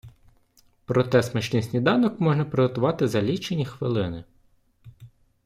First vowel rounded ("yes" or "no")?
yes